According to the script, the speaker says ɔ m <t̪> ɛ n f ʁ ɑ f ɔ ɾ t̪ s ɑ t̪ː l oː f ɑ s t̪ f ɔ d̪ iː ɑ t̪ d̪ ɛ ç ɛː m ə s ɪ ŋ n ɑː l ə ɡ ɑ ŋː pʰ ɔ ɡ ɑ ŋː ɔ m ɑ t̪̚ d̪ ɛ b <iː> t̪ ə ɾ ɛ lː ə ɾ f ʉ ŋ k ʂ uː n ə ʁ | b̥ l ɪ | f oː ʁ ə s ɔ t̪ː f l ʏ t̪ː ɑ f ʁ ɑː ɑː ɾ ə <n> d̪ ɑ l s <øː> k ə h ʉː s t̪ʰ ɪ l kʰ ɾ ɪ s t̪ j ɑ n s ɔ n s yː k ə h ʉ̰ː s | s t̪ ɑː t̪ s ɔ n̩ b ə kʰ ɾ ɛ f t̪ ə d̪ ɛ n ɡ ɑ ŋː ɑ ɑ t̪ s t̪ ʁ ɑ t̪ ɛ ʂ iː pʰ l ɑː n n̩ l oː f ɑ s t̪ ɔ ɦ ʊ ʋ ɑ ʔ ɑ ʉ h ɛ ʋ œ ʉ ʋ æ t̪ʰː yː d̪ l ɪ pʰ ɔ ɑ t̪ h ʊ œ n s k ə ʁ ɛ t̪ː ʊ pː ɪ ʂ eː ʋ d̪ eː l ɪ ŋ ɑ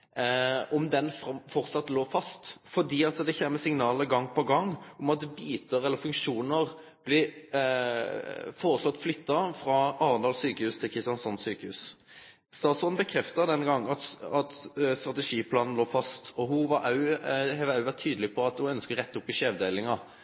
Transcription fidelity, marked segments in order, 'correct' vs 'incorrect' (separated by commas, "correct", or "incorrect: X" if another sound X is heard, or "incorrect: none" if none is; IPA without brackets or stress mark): incorrect: d̪, correct, correct, incorrect: yː